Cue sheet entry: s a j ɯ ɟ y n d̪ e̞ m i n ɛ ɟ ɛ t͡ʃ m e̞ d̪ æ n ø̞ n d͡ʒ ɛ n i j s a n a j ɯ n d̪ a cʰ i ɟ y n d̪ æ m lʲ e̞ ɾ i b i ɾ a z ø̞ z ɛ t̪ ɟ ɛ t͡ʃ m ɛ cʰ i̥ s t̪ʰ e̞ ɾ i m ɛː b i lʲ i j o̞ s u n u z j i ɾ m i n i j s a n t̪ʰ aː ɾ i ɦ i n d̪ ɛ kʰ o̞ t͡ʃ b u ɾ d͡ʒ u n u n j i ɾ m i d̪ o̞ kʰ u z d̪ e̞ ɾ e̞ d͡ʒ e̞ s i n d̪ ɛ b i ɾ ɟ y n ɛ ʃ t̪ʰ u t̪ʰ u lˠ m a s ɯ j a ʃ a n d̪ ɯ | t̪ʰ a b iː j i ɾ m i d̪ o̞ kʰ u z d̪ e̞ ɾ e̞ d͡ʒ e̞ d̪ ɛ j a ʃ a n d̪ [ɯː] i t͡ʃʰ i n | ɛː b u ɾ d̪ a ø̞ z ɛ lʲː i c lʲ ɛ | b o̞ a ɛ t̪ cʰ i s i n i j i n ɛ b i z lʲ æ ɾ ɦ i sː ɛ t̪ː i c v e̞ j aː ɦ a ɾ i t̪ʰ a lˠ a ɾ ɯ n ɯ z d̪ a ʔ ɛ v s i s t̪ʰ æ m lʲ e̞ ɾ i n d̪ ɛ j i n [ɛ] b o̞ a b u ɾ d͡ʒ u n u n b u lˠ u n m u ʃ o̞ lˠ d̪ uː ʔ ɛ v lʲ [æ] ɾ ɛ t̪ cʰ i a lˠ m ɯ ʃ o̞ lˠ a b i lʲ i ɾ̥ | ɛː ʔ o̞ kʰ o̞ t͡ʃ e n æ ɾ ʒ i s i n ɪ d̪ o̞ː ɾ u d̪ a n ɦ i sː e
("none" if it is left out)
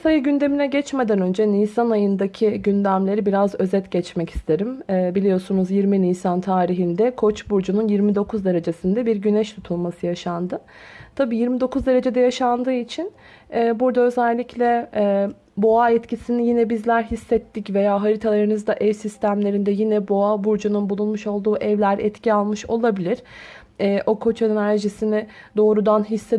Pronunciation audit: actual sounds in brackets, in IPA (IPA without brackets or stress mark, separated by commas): ɯː, ɛ, æ